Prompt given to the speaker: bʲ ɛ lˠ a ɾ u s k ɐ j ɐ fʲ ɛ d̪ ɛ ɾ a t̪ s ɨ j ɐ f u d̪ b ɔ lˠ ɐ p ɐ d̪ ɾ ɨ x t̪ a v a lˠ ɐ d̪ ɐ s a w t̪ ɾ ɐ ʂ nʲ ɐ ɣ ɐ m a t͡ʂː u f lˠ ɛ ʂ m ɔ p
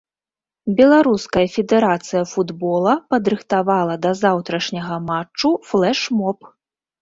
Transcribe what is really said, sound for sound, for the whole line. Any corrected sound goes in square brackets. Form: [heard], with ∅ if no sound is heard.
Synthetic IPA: bʲ ɛ lˠ a ɾ u s k ɐ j ɐ fʲ ɛ d̪ ɛ ɾ a t̪ s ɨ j ɐ f u d̪ b ɔ lˠ ɐ p ɐ d̪ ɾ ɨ x t̪ a v a lˠ ɐ d̪ ɐ [z] a w t̪ ɾ ɐ ʂ nʲ ɐ ɣ ɐ m a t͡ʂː u f lˠ ɛ ʂ m ɔ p